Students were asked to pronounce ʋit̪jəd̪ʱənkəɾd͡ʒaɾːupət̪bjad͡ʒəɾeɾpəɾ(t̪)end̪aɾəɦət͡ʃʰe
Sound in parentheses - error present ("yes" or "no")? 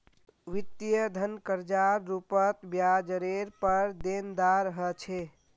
yes